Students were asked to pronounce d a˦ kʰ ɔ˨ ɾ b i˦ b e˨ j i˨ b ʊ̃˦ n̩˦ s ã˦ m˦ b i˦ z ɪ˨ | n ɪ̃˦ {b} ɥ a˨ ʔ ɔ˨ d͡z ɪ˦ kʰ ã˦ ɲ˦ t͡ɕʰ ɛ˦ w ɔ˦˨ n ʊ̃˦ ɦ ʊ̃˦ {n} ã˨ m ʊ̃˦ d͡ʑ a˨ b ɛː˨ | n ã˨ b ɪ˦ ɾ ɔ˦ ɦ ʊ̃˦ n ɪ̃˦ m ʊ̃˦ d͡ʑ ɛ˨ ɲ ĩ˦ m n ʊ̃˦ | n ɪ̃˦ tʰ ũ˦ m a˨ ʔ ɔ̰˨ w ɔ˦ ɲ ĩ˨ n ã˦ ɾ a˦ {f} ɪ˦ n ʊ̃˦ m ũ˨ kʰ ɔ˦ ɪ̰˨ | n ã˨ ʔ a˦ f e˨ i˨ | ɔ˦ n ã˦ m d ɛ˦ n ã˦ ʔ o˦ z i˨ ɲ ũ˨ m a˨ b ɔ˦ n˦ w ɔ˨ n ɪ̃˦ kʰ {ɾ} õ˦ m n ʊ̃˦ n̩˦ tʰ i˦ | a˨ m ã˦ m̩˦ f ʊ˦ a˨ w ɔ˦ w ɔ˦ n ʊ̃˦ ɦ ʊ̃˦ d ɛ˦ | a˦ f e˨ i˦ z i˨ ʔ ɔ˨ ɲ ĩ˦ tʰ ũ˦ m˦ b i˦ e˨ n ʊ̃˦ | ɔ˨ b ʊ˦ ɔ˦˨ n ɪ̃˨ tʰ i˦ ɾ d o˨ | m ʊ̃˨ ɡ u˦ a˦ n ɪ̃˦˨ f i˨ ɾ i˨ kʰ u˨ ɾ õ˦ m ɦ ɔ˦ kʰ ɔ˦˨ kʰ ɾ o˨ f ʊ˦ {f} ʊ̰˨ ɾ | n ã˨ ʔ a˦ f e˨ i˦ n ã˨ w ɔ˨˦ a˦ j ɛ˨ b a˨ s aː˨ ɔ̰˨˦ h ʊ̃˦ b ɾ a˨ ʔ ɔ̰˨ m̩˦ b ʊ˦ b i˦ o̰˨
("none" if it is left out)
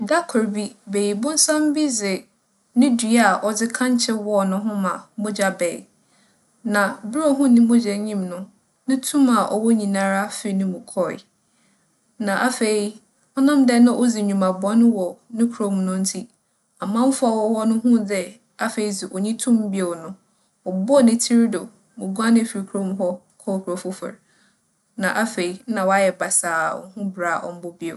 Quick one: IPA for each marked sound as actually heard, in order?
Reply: d, m, f, ɾ, f

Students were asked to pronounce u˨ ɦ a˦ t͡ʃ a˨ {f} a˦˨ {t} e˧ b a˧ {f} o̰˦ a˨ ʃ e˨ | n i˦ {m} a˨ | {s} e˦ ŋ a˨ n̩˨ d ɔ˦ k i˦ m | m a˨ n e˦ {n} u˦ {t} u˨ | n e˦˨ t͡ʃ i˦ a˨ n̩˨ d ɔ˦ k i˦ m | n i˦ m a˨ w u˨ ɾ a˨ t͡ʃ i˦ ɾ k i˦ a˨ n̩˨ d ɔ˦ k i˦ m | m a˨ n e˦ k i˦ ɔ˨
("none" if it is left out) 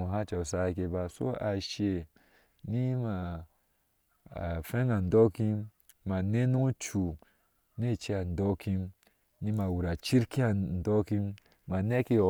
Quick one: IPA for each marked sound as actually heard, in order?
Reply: s, k, s, m, f, n, t͡ʃ

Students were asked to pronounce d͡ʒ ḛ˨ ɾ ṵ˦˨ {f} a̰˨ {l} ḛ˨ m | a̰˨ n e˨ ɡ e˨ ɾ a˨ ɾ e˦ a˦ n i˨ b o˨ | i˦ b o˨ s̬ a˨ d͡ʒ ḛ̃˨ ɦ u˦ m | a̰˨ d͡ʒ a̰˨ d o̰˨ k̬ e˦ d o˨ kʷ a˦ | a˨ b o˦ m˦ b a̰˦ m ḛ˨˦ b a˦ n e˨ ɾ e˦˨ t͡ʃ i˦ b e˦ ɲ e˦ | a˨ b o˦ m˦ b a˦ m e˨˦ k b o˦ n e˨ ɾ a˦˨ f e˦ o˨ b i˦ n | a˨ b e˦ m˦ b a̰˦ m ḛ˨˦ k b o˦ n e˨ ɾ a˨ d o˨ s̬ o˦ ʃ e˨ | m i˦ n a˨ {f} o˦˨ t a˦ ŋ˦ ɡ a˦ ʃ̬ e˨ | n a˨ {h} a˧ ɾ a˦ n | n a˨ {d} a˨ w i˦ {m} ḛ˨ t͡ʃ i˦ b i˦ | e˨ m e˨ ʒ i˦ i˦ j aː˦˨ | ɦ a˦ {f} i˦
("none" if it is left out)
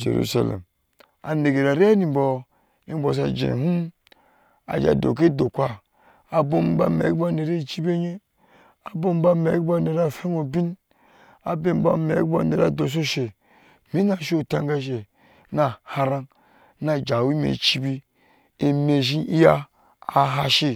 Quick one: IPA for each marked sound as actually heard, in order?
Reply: s, l, ʃ, h, d͡ʒ, m, ʃ

